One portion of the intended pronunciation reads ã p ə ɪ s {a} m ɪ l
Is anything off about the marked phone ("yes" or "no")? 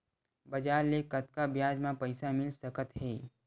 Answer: no